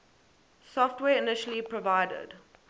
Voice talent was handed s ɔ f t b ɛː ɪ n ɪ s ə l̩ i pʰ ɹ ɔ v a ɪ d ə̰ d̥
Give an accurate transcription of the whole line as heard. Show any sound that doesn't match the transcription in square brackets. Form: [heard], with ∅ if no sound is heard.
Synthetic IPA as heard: s ɔ f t [w] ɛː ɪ n ɪ [ʃ] ə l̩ i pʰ ɹ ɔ v a ɪ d ə̰ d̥